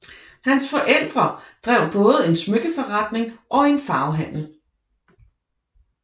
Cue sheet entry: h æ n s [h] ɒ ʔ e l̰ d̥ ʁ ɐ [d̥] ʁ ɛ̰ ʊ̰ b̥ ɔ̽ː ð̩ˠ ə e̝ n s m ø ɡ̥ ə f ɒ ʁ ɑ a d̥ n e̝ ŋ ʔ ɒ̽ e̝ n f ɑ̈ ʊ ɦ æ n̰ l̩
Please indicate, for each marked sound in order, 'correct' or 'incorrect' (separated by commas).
incorrect, correct